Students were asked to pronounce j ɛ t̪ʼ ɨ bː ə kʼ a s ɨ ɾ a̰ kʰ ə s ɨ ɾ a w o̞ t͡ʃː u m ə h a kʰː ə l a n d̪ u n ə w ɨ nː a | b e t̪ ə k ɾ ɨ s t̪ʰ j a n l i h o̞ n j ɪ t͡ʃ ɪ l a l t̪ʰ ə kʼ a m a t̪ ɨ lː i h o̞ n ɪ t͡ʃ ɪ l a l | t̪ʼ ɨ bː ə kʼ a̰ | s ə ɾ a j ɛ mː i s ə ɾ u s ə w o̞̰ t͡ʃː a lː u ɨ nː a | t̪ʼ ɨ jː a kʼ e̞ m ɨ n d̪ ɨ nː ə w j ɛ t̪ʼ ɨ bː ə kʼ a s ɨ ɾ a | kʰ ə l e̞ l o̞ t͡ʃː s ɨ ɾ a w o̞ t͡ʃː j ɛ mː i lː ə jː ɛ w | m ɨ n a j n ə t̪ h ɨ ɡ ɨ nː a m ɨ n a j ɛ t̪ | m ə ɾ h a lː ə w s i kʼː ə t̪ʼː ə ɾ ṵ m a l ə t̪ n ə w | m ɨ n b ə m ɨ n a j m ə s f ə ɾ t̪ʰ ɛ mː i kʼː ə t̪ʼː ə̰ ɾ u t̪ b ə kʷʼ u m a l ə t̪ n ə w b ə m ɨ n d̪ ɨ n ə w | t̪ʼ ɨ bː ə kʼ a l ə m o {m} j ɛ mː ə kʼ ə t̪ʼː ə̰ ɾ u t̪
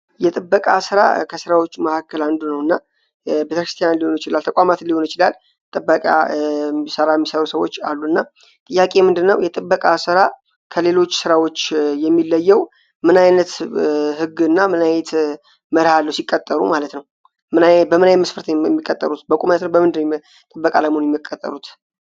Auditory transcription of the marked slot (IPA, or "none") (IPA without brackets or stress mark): n